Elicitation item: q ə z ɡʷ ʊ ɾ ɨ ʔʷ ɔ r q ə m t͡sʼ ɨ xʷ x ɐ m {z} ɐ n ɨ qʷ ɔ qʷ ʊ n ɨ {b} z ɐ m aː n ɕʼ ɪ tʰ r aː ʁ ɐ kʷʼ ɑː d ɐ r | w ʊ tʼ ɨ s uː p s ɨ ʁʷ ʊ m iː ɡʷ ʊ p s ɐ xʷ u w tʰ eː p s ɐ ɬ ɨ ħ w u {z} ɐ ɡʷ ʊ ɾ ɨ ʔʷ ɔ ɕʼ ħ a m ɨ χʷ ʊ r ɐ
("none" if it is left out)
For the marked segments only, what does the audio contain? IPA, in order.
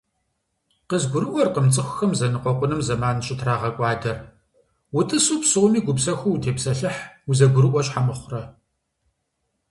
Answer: z, m, z

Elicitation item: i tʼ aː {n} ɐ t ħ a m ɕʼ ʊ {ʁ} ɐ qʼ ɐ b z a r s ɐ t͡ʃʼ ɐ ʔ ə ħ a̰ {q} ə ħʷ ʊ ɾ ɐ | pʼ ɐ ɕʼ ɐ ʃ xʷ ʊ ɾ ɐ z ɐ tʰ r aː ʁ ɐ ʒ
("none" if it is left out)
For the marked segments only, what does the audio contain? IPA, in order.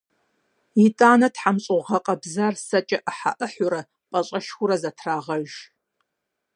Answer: n, ʁ, ʔ

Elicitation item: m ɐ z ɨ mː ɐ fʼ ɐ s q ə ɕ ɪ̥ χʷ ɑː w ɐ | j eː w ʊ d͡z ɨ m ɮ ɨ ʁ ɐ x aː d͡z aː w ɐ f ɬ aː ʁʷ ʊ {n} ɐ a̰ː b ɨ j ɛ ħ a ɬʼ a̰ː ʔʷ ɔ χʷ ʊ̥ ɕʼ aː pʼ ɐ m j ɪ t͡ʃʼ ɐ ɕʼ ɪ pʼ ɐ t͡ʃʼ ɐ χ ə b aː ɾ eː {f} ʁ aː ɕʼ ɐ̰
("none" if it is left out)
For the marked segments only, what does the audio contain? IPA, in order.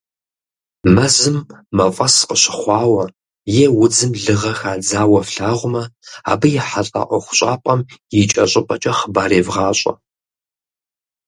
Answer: m, v

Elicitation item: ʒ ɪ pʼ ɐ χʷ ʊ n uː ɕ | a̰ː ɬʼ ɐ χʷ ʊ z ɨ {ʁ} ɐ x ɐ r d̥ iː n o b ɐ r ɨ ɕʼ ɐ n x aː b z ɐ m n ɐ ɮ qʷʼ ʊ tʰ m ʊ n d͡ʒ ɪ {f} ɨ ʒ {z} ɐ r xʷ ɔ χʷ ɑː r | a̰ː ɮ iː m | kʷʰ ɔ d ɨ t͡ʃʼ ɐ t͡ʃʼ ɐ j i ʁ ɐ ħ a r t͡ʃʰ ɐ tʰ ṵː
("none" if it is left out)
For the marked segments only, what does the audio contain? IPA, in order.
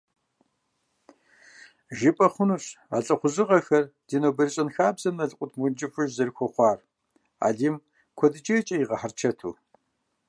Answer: ʁ, f, z

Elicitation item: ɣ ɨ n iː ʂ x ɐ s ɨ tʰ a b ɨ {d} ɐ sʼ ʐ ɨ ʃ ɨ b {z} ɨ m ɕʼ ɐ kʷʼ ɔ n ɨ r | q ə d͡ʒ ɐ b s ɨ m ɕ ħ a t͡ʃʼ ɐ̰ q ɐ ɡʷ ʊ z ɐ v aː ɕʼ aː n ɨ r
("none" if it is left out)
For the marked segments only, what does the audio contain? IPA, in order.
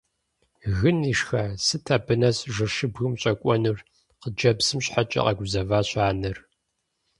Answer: n, ɣ

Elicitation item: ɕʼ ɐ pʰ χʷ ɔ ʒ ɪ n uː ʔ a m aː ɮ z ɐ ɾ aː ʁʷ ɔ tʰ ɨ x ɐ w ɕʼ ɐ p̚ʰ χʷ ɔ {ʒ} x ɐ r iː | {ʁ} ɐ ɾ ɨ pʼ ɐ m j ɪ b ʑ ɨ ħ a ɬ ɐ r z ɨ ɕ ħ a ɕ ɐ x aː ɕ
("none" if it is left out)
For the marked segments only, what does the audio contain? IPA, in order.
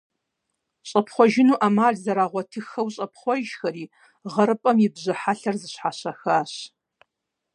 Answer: ʒ, ʁ

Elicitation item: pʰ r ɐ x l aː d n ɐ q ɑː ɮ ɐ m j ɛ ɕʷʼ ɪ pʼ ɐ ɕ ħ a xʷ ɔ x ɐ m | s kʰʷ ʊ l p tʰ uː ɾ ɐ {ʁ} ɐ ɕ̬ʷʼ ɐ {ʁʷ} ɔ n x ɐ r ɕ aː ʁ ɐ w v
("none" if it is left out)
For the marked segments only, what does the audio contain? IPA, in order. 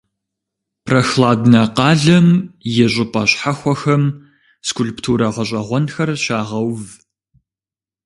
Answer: ʁ, ʁʷ

